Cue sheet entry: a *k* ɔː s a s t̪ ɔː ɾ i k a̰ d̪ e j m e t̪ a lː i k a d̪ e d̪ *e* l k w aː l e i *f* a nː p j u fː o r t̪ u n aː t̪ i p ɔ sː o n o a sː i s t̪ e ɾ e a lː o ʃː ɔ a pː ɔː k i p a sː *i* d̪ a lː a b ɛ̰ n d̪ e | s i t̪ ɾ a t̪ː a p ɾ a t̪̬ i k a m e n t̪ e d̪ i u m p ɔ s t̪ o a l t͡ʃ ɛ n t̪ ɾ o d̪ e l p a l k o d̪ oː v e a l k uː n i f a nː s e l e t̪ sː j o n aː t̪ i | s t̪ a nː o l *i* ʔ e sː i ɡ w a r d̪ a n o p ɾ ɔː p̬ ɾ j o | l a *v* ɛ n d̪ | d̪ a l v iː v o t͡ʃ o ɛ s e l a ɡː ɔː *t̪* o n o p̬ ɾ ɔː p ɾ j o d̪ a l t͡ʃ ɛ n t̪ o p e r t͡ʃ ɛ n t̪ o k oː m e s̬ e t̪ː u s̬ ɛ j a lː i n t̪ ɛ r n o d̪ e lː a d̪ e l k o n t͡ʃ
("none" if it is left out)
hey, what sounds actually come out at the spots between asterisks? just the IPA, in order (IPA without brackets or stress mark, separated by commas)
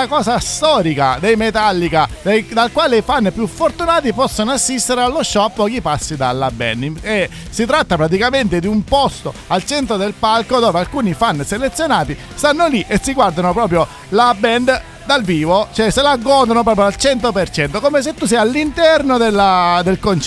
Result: k, a, f, i, i, b, d̪